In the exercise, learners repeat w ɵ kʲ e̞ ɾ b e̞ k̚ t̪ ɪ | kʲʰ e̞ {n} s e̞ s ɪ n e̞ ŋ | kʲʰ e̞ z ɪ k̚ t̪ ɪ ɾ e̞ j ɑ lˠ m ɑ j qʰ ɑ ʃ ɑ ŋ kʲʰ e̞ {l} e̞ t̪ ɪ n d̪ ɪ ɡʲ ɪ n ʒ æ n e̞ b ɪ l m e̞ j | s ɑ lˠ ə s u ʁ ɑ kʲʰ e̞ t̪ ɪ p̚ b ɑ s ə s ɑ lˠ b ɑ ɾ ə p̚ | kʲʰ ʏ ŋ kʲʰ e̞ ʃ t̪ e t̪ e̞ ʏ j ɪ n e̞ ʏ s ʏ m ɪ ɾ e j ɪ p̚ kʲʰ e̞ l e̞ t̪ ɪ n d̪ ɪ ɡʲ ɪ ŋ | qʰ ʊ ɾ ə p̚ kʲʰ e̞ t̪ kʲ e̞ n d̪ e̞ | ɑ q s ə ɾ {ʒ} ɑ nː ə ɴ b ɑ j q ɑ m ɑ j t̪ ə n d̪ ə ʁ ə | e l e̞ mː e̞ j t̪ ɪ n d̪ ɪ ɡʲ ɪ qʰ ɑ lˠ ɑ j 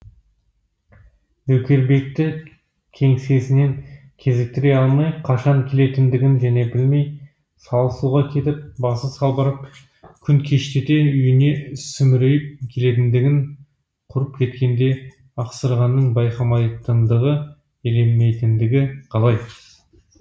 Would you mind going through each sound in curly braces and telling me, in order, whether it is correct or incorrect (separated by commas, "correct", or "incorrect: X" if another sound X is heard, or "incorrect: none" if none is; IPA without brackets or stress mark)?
incorrect: ŋ, correct, incorrect: ʁ